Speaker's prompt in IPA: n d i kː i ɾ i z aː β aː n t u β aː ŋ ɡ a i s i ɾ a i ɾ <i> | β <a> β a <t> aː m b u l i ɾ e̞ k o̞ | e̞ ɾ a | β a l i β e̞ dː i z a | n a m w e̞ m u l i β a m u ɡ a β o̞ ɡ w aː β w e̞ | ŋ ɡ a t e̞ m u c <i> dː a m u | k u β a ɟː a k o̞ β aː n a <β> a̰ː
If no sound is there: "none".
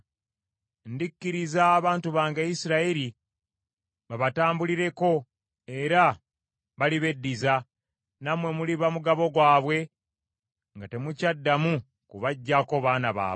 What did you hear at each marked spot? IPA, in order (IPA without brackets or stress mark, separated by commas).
i, a, t, a, β